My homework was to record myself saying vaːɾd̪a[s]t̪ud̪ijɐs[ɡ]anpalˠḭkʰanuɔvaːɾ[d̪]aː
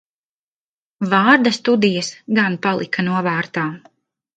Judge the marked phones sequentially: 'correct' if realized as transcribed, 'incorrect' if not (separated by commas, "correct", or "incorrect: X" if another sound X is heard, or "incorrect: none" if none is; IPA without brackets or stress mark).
correct, correct, incorrect: t̪